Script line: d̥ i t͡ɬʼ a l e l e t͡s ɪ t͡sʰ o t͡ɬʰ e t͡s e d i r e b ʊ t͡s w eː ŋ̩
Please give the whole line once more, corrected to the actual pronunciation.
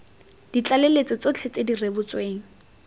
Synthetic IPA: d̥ i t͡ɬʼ a l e l e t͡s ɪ t͡s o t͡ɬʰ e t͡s e d i r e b ʊ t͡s w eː ŋ̩